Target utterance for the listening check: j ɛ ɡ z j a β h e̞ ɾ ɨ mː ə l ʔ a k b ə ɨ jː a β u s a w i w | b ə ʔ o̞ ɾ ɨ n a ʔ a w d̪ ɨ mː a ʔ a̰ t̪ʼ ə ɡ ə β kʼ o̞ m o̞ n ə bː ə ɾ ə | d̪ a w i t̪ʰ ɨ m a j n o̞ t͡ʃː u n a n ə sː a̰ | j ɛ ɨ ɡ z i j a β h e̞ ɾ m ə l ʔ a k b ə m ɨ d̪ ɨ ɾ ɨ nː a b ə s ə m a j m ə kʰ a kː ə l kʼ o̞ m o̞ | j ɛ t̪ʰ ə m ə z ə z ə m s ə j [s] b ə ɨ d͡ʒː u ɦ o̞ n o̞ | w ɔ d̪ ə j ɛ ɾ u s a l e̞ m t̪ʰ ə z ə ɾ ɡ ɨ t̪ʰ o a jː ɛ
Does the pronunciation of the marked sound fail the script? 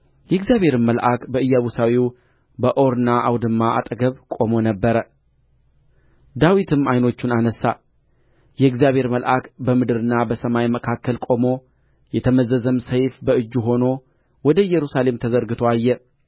yes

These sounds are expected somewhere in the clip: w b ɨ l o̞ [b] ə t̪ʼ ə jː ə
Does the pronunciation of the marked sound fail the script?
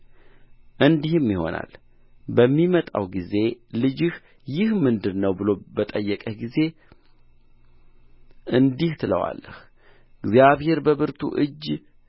no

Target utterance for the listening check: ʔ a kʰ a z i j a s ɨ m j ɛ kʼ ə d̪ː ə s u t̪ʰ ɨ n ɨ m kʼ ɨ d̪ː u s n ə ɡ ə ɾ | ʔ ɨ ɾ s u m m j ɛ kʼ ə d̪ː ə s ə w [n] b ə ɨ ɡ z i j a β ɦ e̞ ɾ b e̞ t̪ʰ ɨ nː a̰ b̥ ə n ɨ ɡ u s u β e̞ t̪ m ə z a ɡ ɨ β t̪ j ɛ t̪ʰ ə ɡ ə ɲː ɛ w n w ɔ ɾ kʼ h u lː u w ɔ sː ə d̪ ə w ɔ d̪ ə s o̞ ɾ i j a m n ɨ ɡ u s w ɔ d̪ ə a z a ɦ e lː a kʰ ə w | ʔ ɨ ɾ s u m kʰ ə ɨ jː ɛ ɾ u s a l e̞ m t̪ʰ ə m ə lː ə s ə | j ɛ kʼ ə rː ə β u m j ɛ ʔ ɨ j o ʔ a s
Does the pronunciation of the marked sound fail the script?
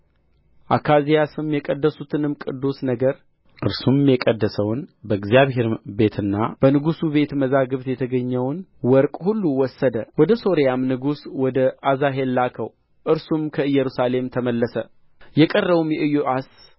no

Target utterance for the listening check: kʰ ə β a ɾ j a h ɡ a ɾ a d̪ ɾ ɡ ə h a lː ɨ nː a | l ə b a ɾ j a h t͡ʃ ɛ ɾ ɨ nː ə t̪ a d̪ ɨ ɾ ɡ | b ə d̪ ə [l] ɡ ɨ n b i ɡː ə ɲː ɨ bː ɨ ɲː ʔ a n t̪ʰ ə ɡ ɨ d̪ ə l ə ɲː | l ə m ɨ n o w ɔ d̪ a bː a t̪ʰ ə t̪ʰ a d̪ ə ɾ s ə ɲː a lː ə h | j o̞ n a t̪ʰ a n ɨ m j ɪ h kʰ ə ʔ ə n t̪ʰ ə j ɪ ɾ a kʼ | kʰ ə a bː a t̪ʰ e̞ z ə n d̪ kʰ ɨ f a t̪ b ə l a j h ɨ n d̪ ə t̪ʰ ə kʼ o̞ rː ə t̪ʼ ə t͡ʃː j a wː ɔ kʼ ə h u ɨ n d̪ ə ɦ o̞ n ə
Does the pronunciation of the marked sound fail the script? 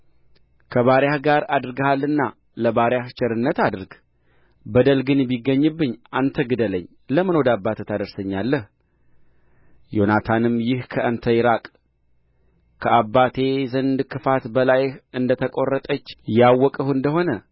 no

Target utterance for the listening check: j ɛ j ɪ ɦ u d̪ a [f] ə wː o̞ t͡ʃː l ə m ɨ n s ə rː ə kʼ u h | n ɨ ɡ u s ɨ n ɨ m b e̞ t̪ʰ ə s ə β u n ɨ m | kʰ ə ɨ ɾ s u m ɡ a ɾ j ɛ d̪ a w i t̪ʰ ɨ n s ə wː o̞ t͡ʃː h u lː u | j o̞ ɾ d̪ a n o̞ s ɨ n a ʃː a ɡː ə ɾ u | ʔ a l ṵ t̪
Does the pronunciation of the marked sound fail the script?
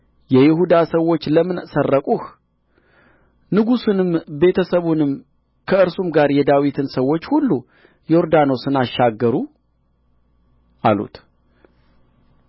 yes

